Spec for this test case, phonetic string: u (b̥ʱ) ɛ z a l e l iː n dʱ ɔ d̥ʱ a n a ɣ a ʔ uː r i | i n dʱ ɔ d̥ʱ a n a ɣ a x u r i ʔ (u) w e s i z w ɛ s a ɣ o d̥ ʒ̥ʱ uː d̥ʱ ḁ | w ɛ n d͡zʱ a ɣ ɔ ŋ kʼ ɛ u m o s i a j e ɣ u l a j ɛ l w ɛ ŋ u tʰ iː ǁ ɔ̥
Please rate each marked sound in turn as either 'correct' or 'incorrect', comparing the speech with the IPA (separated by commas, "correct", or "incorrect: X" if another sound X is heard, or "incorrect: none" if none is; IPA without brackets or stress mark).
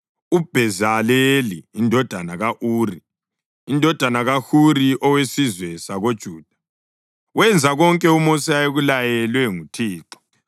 correct, incorrect: ɔ